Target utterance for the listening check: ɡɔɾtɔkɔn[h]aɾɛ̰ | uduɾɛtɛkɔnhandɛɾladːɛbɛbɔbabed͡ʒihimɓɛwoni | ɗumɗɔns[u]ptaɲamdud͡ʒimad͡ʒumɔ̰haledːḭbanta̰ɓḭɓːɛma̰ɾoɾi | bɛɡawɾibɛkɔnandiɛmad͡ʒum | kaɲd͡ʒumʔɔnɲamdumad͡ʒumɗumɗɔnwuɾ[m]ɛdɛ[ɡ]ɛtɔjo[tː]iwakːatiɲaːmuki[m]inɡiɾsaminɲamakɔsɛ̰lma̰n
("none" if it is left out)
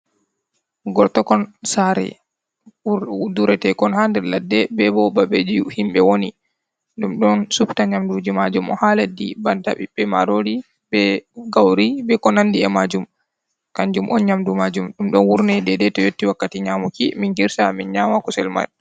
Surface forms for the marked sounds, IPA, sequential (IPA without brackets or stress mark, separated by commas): s, u, n, d, tː, m